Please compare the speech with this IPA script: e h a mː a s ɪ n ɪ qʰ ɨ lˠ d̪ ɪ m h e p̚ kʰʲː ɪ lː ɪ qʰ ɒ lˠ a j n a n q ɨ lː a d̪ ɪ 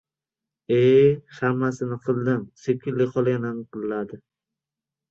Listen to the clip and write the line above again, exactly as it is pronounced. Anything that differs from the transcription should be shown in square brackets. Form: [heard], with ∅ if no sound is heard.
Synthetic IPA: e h a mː a s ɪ n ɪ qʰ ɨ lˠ d̪ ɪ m [s] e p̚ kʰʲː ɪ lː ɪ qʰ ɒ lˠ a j n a n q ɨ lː a d̪ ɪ